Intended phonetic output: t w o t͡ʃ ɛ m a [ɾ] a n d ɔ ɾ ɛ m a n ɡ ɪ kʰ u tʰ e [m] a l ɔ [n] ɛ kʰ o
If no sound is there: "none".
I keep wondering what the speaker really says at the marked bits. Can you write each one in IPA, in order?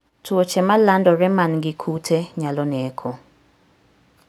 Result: l, ɲ, n

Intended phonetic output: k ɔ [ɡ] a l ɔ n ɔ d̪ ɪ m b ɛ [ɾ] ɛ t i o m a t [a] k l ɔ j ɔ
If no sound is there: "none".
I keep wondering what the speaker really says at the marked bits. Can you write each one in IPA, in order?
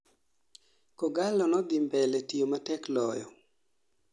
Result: ɡ, l, ɛ

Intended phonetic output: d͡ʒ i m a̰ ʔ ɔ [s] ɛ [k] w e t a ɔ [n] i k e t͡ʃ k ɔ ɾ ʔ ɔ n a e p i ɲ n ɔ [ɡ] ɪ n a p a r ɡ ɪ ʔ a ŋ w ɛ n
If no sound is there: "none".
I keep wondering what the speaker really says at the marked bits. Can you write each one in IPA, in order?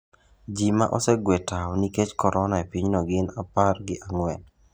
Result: s, ɡ, n, ɡ

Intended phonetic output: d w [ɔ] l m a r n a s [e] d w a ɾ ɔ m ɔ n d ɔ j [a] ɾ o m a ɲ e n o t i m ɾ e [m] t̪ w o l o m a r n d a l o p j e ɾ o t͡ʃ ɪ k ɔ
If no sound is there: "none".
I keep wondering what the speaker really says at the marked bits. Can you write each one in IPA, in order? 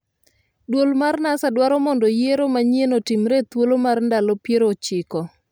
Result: o, a, e, none

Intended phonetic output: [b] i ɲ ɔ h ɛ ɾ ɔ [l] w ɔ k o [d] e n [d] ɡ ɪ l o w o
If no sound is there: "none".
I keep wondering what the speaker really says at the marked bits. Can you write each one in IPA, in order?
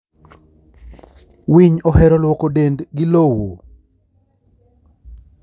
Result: w, l, d, d

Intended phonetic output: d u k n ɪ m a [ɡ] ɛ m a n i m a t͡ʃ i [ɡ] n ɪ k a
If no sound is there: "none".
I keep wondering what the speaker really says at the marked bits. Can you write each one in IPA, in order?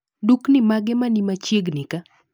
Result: ɡ, ɡ

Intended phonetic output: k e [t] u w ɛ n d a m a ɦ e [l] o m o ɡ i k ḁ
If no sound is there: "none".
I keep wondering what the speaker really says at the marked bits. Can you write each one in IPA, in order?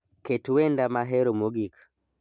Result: t, ɾ

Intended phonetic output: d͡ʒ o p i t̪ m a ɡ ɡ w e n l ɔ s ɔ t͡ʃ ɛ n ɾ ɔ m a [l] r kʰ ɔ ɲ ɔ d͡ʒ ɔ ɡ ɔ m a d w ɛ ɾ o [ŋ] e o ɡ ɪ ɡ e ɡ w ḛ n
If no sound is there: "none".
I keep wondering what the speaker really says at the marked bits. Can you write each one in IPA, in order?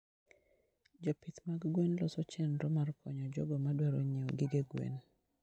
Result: none, ɲ

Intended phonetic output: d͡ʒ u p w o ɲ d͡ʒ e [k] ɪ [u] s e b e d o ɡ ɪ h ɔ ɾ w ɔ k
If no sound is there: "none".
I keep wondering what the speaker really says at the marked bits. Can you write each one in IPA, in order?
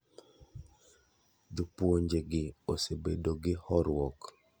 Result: ɡ, o

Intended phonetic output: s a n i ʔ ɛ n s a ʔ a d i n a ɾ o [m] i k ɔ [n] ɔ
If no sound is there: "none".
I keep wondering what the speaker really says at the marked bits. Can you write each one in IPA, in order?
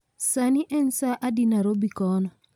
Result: b, n

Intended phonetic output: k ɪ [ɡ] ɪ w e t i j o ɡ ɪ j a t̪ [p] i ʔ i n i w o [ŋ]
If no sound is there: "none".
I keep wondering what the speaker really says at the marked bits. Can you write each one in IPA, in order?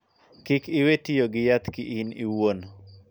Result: k, k, n

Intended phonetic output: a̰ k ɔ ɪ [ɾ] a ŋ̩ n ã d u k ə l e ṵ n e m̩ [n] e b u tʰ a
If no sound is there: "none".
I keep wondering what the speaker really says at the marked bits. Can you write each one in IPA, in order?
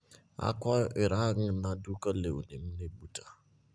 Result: ɾ, n

